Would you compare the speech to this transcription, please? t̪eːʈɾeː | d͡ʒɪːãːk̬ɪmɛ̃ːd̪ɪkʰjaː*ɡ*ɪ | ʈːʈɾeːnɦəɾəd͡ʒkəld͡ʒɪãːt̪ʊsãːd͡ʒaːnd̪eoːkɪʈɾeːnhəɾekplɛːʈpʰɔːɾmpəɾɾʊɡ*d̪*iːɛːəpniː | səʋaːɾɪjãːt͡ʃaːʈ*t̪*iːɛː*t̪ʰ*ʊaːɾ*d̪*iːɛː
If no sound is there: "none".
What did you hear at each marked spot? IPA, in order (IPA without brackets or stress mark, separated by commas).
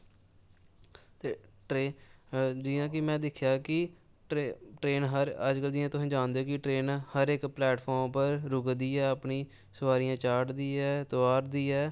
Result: k, d̪, d̪, t̪, d̪